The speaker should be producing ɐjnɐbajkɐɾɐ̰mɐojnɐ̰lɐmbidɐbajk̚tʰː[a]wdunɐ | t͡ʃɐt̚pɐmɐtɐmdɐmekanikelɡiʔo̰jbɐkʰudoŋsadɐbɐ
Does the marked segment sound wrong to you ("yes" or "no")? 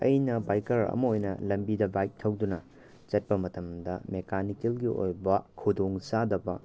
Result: yes